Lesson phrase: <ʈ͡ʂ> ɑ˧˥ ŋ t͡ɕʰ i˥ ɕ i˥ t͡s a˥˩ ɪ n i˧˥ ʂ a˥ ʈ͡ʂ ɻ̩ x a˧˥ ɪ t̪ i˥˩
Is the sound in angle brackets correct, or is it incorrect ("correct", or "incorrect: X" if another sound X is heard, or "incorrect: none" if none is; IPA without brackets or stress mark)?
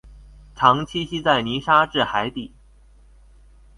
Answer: incorrect: ʈ͡ʂʰ